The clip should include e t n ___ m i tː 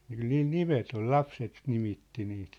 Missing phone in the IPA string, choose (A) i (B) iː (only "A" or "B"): A